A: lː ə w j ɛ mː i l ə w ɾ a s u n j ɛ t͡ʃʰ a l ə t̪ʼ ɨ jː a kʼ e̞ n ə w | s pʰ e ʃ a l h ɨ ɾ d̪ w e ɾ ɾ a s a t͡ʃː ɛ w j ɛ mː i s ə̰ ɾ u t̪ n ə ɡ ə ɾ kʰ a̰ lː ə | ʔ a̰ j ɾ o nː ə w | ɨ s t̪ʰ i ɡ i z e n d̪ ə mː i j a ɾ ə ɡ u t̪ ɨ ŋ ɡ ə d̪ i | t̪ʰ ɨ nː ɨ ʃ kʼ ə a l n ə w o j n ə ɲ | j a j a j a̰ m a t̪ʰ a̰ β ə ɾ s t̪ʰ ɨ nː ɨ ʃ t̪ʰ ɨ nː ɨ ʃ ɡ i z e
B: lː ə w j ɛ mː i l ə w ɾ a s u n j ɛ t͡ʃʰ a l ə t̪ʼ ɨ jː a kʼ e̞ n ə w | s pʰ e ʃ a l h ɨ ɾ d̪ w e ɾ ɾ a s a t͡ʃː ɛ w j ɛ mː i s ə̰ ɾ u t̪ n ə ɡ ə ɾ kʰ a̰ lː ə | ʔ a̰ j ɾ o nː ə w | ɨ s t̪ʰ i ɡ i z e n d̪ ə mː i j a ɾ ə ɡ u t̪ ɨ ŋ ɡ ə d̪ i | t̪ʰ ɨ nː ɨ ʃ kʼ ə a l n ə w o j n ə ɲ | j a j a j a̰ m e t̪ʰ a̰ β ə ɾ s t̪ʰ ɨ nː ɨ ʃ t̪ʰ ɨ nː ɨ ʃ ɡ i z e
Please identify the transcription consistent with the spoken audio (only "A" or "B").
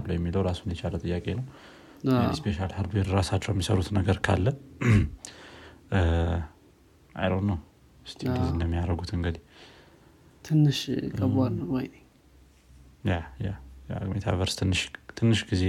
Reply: B